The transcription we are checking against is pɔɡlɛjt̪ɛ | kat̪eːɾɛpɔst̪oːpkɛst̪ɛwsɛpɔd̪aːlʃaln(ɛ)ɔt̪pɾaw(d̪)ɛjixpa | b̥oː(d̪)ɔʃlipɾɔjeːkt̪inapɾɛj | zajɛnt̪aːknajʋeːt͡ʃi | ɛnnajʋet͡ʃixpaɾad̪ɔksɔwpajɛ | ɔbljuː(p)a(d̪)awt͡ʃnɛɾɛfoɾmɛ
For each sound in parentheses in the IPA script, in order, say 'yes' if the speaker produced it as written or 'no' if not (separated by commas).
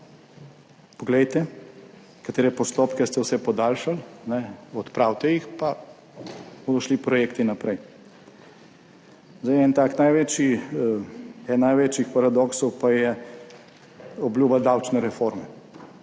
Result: yes, no, yes, no, yes